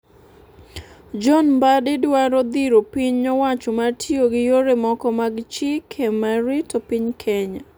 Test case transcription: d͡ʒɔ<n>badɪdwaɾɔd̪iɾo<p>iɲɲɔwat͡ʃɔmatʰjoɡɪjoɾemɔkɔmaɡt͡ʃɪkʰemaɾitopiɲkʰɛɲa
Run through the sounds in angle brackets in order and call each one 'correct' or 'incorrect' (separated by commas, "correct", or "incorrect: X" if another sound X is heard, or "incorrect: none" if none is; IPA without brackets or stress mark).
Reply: correct, correct